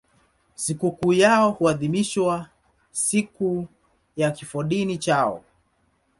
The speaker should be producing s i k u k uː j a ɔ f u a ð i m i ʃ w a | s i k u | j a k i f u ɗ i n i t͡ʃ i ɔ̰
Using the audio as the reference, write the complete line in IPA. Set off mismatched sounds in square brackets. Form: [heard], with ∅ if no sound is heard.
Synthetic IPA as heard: s i k u k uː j a ɔ [h] u a ð i m i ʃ w a | s i k u | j a k i f [ɔ] ɗ i n i t͡ʃ [a] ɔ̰